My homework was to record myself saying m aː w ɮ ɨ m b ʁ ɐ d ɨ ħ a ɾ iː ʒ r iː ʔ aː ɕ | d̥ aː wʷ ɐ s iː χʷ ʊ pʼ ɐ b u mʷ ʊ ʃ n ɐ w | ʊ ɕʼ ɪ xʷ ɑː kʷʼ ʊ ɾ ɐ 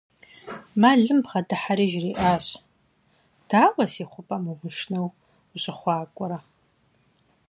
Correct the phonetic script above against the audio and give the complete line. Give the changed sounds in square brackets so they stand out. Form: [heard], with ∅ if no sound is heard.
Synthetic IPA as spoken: m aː [∅] ɮ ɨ m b ʁ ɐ d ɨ ħ a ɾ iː ʒ r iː ʔ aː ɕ | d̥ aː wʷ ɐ s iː χʷ ʊ pʼ ɐ [m] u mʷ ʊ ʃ n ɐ w | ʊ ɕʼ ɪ [χʷ] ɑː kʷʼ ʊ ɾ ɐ